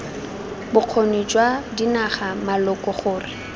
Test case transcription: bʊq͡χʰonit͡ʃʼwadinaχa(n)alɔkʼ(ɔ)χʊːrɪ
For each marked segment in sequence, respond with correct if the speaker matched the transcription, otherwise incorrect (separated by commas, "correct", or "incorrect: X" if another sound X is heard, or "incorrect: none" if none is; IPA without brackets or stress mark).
incorrect: m, correct